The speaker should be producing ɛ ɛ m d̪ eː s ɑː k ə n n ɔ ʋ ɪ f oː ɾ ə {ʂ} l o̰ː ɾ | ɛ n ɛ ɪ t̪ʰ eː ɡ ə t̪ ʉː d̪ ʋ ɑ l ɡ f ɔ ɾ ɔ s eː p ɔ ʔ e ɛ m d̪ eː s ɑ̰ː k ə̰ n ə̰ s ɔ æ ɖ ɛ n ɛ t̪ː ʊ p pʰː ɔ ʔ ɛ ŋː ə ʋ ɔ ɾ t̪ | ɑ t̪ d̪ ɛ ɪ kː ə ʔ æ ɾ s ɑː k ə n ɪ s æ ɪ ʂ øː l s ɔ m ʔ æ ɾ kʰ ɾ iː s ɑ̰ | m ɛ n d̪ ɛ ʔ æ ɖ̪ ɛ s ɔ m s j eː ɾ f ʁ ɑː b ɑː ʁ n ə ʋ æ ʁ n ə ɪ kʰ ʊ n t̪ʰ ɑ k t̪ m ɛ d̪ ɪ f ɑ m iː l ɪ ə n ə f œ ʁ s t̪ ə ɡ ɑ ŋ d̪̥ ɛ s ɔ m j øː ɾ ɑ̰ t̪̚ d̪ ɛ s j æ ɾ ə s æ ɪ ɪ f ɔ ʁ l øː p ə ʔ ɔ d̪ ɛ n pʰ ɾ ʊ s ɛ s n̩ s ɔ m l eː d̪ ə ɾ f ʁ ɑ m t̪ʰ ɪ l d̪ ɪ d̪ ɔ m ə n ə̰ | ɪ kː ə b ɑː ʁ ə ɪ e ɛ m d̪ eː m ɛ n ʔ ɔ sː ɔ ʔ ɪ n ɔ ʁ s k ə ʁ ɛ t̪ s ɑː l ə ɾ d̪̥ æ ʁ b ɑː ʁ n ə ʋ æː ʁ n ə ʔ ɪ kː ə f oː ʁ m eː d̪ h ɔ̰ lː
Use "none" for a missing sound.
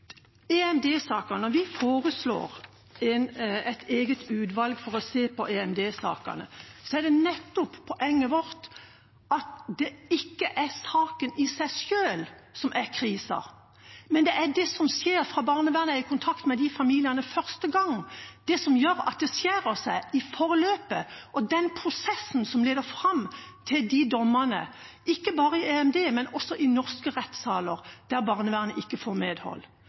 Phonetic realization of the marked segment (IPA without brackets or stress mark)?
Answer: s